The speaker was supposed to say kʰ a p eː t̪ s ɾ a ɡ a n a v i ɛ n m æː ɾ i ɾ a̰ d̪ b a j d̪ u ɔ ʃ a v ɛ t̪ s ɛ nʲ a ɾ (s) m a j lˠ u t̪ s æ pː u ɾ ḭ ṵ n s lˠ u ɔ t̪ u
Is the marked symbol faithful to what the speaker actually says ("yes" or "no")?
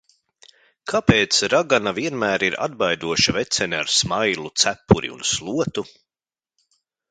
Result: yes